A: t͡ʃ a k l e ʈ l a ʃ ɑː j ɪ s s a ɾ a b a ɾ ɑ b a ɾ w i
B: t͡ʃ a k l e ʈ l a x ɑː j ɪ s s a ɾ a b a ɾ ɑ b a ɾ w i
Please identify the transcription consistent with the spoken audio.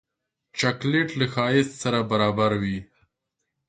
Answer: B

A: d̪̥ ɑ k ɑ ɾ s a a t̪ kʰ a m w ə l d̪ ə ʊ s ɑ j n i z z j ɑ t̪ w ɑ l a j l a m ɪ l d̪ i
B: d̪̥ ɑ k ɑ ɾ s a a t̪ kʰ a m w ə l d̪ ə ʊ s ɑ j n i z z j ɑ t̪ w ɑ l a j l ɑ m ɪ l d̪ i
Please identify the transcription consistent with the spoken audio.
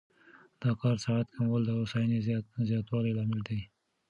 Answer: B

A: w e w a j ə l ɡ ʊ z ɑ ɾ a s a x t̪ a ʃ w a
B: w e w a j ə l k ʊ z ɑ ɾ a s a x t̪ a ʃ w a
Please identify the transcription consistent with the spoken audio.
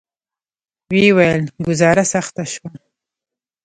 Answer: A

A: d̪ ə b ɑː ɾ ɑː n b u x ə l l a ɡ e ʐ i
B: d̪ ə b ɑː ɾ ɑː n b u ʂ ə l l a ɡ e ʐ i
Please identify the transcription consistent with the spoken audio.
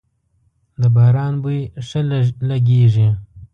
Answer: B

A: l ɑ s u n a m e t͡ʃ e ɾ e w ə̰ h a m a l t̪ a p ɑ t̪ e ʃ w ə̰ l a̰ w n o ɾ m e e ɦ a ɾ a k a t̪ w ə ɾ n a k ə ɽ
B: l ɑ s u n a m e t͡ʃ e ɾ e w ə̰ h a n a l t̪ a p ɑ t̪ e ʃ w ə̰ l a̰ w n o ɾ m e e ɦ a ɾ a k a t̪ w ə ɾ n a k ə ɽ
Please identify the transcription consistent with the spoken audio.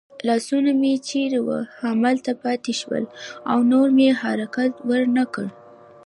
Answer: A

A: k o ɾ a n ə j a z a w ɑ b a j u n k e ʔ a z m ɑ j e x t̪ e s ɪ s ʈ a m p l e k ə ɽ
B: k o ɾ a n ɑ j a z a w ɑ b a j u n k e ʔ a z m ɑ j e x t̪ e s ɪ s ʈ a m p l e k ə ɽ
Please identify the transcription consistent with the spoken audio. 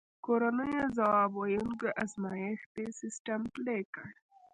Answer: A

